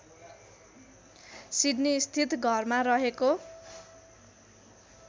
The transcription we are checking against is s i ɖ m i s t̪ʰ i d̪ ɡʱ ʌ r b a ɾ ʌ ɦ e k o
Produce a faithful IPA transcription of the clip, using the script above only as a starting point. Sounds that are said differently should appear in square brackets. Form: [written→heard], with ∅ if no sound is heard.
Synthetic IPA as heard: s i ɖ [m→n] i s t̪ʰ i [d̪→t̪] ɡʱ ʌ r [b→m] a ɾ ʌ ɦ e k o